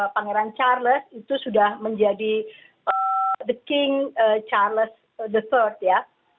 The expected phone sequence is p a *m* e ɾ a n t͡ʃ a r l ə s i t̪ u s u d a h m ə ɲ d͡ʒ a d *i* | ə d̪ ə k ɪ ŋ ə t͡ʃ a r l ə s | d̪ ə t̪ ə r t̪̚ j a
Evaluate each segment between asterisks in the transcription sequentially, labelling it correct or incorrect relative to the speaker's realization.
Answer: incorrect, correct

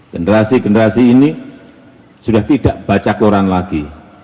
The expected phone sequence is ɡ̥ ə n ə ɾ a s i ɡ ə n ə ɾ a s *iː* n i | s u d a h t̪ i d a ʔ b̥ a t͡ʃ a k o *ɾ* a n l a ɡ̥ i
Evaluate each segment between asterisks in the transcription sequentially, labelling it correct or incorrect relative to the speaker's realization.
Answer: correct, correct

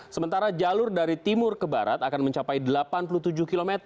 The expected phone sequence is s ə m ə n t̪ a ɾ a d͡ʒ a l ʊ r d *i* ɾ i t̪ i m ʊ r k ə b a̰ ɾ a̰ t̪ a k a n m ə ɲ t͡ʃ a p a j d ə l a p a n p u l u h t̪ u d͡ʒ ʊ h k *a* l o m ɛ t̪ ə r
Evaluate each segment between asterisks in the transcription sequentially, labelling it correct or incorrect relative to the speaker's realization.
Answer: incorrect, incorrect

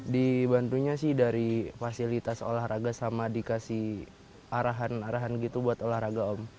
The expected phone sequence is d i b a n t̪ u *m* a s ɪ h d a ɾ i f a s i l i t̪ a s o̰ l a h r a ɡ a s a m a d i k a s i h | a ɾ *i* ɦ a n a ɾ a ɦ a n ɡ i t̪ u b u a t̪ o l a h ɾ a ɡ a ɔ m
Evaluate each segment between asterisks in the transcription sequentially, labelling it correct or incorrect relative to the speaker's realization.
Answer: incorrect, incorrect

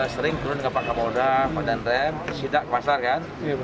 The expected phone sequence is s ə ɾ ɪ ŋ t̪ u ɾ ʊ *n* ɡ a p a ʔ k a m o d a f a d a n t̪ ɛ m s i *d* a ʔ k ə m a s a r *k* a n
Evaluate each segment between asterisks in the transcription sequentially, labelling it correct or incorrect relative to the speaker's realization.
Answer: correct, correct, correct

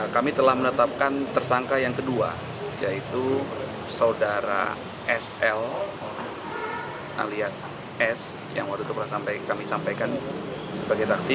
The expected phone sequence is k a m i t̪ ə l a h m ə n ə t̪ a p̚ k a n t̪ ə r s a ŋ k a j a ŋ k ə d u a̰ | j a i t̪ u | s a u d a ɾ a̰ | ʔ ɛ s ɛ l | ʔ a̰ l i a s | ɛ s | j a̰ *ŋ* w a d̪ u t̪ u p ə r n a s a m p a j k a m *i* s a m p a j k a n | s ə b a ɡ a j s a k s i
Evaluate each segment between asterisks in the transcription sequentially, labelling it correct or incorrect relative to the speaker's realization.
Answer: correct, correct

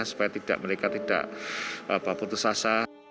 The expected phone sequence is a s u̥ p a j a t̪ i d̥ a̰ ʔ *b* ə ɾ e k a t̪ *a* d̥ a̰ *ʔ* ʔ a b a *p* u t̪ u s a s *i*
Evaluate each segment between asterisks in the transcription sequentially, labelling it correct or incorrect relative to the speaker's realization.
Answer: incorrect, incorrect, correct, correct, incorrect

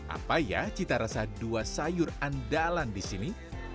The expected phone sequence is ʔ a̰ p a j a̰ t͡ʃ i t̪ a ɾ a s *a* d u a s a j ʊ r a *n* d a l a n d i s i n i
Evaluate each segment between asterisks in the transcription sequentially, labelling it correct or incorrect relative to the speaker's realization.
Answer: correct, correct

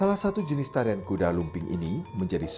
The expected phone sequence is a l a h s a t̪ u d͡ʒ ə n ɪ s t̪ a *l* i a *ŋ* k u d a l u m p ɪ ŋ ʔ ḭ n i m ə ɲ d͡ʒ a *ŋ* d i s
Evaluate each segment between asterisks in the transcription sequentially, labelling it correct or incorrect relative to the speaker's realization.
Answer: incorrect, incorrect, incorrect

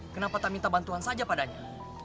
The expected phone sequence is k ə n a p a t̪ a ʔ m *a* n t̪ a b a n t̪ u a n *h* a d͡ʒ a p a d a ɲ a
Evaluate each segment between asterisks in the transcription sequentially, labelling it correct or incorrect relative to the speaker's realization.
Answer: incorrect, incorrect

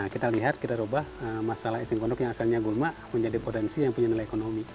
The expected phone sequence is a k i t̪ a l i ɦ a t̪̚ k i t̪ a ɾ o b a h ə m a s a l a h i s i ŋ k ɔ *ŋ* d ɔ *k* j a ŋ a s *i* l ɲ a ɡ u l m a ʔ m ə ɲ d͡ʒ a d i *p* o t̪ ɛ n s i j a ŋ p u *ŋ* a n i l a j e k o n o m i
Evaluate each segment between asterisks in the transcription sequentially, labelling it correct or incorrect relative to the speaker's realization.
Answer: incorrect, correct, incorrect, correct, incorrect

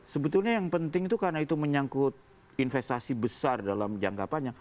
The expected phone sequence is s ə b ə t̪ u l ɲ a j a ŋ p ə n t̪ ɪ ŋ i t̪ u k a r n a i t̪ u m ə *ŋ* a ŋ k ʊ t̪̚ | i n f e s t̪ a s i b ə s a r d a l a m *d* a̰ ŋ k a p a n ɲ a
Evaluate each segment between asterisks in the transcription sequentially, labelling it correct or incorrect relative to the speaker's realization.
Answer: incorrect, incorrect

